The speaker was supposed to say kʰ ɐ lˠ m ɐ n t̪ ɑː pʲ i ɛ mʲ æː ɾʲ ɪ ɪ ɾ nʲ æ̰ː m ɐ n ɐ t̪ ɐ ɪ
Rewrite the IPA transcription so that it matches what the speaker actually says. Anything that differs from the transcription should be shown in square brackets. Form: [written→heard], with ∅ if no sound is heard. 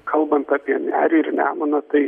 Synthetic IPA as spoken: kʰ ɐ lˠ [m→b] ɐ n t̪ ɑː pʲ i ɛ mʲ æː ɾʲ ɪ ɪ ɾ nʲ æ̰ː m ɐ n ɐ t̪ ɐ ɪ